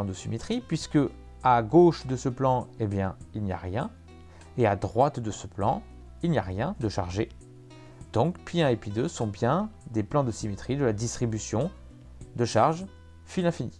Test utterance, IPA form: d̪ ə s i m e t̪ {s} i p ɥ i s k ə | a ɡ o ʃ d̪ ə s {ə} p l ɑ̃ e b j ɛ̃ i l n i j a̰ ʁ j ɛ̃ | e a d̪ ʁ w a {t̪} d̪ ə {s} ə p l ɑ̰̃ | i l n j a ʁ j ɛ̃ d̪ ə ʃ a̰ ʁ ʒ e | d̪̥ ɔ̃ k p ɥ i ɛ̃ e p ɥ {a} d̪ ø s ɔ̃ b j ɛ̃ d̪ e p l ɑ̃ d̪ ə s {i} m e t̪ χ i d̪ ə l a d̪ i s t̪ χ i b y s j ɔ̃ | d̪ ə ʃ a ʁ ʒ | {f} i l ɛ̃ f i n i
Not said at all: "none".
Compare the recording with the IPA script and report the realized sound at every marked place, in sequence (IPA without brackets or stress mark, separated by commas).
χ, ə, t̪, s, i, i, f